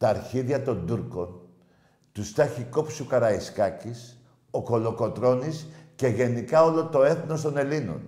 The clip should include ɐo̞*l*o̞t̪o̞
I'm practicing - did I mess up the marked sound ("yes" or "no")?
no